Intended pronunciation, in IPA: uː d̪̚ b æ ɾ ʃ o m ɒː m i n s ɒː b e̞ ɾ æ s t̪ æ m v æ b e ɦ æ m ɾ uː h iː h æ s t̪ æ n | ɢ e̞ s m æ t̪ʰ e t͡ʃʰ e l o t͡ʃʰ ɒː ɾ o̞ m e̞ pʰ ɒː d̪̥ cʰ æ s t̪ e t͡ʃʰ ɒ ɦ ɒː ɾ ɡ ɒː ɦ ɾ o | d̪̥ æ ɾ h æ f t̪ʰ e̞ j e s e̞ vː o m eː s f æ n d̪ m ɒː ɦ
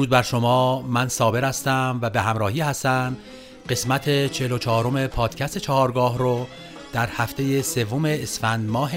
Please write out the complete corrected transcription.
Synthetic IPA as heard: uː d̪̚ b æ ɾ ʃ o m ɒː m æ n s ɒː b e̞ ɾ æ s t̪ æ m v æ b e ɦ æ m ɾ ɒː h iː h æ s t̪ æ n | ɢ e̞ s m æ t̪ʰ e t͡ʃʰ e l o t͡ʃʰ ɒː ɾ o̞ m e̞ pʰ ɒː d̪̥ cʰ æ s t̪ e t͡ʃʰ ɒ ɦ ɒː ɾ ɡ ɒː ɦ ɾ o | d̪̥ æ ɾ h æ f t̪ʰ e̞ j e s e̞ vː o m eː s f æ n d̪ m ɒː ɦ